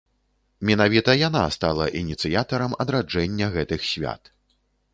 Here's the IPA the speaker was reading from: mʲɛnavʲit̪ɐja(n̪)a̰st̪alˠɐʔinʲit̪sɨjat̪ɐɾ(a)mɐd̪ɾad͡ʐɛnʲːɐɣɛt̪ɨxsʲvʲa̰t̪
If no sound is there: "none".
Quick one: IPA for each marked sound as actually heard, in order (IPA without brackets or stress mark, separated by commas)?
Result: n̪, ɐ